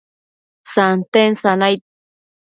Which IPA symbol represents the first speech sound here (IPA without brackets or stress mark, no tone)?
s